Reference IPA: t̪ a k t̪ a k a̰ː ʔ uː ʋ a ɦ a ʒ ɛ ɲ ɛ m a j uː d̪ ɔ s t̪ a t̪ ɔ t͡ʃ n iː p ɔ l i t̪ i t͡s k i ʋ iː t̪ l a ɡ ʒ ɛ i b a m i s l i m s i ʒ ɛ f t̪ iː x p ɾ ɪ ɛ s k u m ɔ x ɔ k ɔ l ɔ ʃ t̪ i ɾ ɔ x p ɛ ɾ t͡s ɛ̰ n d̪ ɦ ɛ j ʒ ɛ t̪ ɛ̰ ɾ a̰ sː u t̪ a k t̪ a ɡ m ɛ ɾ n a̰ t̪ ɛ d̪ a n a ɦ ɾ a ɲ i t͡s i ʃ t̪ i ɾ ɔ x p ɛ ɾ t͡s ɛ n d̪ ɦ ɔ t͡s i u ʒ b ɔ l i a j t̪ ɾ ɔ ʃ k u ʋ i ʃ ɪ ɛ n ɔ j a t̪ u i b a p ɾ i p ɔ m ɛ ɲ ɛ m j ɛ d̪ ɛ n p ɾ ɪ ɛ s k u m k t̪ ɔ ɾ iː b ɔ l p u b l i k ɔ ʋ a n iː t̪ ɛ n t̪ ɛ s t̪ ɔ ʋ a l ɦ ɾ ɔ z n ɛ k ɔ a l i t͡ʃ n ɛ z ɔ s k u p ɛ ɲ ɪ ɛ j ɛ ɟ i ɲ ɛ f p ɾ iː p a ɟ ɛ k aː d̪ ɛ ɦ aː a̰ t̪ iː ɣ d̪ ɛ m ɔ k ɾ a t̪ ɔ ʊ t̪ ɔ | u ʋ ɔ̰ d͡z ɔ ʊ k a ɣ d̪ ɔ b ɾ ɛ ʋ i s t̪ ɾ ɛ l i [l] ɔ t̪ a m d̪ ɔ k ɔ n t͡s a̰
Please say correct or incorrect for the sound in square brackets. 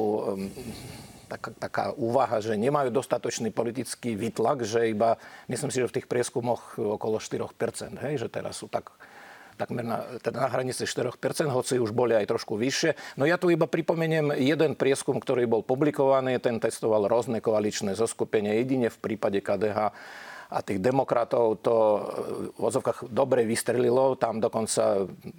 correct